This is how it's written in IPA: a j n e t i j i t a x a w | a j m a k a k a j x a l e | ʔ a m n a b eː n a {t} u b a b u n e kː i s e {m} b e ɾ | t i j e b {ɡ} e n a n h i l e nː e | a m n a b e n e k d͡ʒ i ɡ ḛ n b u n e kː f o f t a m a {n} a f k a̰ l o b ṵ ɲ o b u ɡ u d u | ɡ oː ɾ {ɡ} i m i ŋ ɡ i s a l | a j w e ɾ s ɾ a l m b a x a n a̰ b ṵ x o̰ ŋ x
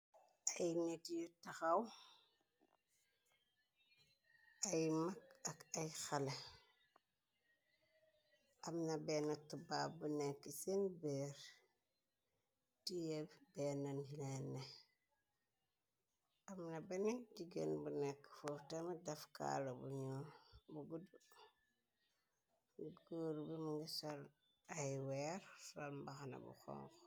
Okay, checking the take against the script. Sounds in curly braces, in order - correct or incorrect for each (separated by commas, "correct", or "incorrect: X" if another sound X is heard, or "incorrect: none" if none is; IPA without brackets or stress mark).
correct, incorrect: n, incorrect: b, incorrect: d, incorrect: b